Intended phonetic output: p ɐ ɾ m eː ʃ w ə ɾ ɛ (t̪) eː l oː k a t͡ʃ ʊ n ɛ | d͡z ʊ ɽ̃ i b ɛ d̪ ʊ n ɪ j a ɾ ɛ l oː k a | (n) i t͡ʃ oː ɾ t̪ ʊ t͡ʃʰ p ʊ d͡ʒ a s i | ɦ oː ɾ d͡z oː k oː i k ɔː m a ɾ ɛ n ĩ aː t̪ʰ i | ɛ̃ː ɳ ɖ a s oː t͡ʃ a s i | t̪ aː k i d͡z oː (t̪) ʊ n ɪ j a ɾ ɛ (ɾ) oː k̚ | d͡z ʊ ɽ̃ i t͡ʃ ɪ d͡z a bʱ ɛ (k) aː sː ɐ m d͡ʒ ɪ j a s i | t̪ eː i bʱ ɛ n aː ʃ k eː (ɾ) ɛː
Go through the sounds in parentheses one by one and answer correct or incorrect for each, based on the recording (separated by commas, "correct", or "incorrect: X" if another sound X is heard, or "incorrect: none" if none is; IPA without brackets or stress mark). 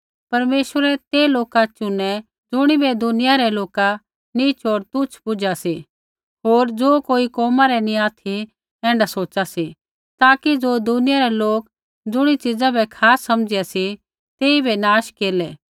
correct, correct, incorrect: d̪, incorrect: l, incorrect: kʰ, incorrect: l